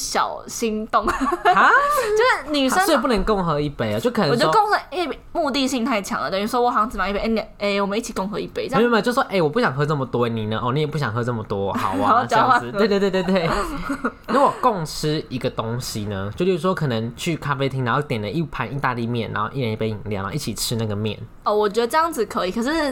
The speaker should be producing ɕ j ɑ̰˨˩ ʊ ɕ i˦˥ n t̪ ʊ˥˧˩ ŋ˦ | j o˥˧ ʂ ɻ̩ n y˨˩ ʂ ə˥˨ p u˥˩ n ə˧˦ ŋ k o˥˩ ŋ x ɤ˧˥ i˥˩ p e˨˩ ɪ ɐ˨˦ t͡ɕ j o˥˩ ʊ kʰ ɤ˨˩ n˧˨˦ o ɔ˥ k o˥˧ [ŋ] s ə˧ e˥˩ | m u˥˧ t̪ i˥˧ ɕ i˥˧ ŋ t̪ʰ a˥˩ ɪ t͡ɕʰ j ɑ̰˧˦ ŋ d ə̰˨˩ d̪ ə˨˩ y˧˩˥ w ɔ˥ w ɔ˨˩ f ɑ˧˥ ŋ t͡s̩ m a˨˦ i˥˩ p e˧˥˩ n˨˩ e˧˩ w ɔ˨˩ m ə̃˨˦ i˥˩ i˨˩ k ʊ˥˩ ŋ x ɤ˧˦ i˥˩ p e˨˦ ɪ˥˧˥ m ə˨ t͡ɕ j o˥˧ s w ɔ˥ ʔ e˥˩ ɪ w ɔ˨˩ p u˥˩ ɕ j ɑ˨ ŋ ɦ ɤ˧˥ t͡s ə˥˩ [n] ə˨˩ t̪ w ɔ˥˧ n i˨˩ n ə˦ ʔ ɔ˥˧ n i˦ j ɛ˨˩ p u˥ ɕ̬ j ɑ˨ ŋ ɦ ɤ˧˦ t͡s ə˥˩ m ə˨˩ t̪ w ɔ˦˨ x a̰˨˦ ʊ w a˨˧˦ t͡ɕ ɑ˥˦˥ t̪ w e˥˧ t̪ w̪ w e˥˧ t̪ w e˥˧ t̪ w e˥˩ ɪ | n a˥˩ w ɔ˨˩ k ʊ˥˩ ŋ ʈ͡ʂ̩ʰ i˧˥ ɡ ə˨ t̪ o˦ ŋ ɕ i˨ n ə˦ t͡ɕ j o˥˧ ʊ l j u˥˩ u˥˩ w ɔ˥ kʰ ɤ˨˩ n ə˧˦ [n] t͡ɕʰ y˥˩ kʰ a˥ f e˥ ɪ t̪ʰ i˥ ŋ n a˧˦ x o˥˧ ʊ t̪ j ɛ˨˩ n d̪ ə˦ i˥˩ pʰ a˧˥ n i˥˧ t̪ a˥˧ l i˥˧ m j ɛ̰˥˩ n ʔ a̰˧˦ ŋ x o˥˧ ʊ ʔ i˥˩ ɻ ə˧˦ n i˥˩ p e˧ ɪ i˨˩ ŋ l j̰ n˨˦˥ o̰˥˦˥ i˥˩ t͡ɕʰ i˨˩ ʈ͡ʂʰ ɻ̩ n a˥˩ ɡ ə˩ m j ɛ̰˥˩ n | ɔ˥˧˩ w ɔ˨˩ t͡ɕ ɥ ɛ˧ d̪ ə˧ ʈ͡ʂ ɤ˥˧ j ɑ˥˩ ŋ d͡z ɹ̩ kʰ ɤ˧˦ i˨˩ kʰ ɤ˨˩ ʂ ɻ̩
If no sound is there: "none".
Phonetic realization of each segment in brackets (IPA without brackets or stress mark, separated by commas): ŋ, m, ŋ